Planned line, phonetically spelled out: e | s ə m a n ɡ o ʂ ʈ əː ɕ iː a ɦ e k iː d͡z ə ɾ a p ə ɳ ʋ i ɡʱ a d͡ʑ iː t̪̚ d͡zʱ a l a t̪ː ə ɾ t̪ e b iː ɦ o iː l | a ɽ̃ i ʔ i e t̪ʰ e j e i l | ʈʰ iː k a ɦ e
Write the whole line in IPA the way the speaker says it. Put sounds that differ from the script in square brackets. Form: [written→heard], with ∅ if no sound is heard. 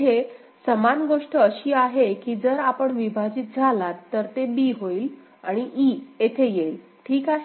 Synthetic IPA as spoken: e | s ə m a n ɡ o ʂ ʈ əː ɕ iː a ɦ e k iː d͡z ə ɾ a p ə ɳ ʋ i [ɡʱ→bʱ] a d͡ʑ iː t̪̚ d͡zʱ a l a t̪ː ə ɾ t̪ e b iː ɦ o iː l | a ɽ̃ i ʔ i e t̪ʰ e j e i l | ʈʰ iː k a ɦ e